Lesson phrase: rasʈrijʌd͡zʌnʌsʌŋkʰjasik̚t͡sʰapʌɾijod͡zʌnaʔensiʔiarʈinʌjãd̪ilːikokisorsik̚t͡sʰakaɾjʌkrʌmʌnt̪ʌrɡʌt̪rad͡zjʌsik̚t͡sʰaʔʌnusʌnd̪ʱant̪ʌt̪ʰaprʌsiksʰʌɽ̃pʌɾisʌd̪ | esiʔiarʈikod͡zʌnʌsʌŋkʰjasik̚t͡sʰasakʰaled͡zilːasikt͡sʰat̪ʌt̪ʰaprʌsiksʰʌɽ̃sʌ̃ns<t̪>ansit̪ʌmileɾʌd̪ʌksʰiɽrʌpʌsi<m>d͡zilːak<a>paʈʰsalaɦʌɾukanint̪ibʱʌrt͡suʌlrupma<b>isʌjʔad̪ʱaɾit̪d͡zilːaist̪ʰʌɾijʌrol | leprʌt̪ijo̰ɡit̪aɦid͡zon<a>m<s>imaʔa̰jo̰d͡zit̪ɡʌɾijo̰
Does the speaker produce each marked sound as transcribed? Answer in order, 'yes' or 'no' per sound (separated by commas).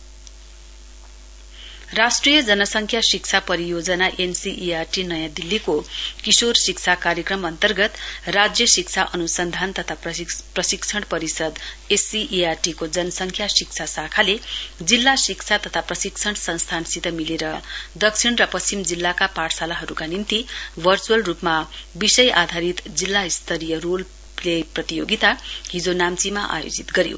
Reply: no, yes, yes, yes, yes, no